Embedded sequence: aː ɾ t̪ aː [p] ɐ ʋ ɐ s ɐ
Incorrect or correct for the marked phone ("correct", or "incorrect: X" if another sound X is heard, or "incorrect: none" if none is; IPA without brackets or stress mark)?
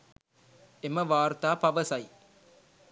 correct